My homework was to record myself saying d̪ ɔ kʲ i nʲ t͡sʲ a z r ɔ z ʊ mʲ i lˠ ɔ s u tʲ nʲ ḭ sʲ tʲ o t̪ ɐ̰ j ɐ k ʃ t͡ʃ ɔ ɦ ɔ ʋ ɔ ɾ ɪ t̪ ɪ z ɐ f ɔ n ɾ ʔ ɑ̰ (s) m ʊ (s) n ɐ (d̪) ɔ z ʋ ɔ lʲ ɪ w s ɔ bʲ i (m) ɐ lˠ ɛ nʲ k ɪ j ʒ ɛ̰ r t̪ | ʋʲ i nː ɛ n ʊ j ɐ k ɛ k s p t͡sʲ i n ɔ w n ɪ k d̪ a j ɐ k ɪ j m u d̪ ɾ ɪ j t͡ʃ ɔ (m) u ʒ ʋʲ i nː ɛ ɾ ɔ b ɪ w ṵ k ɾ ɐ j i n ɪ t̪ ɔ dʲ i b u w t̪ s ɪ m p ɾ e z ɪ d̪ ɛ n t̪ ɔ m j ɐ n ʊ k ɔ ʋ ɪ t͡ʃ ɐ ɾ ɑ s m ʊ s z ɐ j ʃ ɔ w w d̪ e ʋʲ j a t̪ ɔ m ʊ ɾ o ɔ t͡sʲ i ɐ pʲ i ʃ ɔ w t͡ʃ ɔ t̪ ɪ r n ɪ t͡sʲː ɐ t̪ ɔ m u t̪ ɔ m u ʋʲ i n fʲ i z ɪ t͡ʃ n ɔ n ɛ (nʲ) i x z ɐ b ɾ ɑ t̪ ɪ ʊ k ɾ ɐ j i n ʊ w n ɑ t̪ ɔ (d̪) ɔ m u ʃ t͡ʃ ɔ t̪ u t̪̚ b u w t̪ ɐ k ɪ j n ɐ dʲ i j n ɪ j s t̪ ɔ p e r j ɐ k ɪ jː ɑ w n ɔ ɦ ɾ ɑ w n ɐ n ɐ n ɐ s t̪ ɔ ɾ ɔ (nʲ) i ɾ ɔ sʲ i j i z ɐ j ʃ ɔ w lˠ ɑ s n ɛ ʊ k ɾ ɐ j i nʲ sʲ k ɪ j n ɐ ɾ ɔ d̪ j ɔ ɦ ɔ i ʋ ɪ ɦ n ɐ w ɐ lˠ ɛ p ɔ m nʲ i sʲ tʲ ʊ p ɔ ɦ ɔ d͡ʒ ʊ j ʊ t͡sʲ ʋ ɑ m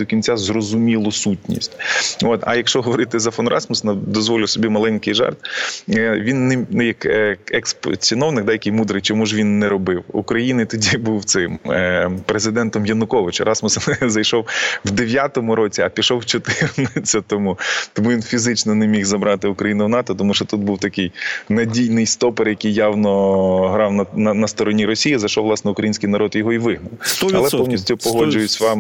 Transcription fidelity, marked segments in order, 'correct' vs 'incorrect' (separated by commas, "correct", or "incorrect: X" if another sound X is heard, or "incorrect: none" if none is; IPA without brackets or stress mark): correct, correct, correct, correct, correct, incorrect: mʲ, incorrect: t̪, correct